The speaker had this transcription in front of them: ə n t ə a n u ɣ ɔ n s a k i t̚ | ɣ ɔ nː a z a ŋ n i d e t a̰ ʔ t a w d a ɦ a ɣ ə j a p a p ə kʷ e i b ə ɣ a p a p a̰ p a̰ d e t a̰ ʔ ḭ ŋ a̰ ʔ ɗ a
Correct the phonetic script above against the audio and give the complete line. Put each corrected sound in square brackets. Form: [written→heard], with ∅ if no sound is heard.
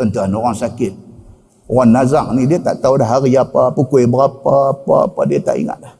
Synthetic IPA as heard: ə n t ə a n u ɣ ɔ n s a k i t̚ | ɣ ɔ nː a z a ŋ n i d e t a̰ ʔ t a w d a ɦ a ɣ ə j a p a p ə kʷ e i b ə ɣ a p a p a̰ p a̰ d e t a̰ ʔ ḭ ŋ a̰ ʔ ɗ a